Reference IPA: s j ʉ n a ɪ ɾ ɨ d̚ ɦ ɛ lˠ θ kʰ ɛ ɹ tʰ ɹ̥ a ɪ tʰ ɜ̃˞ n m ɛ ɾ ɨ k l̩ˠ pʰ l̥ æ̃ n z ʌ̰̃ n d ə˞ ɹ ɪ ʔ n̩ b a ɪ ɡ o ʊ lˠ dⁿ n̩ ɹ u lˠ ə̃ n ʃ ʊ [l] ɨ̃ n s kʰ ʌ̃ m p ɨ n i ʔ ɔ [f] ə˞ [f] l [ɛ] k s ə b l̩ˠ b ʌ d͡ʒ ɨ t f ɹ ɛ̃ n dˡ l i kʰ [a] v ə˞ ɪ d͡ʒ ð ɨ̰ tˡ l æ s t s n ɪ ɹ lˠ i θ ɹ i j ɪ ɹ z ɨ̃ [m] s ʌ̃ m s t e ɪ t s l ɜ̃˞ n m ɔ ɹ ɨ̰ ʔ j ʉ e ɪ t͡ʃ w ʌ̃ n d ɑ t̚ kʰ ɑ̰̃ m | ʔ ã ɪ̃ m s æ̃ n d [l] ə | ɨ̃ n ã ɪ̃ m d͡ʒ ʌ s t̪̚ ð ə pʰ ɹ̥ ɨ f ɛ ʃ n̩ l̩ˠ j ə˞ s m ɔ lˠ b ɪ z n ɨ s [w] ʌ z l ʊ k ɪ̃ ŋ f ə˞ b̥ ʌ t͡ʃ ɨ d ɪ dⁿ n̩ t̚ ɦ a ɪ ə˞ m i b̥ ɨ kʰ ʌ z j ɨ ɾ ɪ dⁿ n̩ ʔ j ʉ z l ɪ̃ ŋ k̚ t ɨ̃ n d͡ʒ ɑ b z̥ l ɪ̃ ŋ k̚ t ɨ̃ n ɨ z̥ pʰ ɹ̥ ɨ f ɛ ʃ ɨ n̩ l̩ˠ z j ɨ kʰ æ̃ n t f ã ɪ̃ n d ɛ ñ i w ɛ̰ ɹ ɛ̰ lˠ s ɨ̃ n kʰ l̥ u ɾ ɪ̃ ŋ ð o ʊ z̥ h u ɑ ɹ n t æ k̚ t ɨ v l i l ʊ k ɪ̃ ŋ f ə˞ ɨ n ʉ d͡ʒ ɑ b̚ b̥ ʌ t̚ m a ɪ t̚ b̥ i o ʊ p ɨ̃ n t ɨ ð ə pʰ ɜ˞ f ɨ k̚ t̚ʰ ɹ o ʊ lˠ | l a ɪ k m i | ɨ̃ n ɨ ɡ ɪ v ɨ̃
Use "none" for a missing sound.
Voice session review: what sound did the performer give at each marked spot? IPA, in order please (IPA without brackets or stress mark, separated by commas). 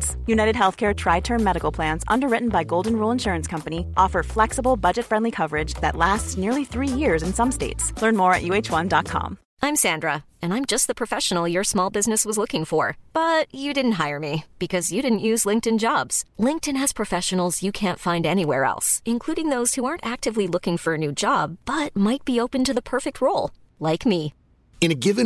ɹ, f, f, ɛ, ʌ, n, ɹ, w